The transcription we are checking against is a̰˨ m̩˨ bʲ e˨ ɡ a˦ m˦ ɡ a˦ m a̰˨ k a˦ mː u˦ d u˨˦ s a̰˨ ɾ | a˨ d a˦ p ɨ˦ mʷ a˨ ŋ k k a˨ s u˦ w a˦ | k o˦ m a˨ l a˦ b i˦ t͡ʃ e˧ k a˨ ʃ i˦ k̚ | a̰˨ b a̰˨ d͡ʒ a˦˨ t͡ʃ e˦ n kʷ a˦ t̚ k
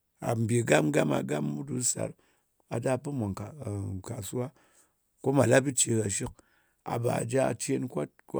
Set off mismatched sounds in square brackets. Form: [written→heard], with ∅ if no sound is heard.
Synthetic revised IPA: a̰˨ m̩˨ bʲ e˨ ɡ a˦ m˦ ɡ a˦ m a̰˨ [k→ɡ] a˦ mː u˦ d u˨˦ s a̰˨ ɾ | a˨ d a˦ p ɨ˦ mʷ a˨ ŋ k k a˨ s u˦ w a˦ | k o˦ m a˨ l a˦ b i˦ t͡ʃ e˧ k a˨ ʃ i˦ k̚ | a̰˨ b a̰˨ d͡ʒ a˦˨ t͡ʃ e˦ n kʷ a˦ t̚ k